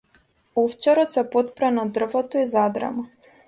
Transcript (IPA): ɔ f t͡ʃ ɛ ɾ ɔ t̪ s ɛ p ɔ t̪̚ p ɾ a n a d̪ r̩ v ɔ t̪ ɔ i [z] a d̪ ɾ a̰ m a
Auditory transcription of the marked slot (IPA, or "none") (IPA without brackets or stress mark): z